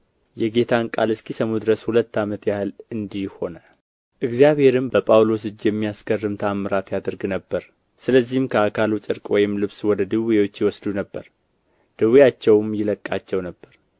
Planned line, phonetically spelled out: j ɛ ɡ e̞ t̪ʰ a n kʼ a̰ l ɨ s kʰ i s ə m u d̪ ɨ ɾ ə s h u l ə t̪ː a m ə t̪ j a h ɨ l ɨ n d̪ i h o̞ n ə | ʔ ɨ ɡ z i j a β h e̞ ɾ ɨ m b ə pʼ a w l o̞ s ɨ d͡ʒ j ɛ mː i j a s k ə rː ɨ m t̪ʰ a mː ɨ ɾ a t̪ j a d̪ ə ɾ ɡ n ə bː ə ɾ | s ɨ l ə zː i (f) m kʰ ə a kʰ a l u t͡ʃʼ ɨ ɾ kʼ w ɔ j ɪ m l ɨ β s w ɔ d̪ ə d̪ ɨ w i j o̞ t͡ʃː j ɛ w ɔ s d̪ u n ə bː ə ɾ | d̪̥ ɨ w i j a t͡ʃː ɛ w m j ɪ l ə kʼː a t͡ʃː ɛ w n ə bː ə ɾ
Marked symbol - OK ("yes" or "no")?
no